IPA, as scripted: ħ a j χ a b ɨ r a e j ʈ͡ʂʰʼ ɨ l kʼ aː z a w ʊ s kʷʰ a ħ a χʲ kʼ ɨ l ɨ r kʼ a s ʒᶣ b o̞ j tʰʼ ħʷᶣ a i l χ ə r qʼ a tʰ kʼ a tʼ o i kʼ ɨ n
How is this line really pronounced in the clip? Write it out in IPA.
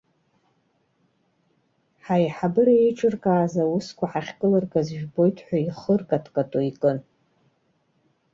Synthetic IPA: ħ a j ħ a b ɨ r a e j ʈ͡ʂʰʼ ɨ r kʼ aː z a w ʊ s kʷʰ a ħ a χʲ kʼ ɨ l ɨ r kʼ a z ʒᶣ b o̞ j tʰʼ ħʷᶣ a i χ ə r kʼ a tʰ kʼ a tʼ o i kʼ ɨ n